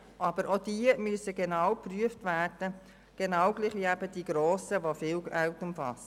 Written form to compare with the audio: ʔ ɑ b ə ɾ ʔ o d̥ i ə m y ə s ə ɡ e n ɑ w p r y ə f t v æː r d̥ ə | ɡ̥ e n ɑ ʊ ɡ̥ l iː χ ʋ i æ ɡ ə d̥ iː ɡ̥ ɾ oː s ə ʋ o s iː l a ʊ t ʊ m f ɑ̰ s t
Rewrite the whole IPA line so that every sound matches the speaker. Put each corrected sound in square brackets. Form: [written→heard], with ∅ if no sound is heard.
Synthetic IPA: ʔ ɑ b ə ɾ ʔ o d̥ i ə m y ə s ə ɡ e n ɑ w p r y ə f t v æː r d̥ ə | ɡ̥ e n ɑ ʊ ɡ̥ l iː χ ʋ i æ [ɡ→b] ə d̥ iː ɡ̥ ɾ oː s ə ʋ o [s→f] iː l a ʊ t ʊ m f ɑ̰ s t